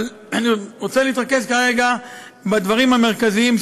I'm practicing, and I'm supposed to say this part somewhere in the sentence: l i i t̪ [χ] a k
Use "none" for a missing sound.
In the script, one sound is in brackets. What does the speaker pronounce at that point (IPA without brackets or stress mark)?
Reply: ʁ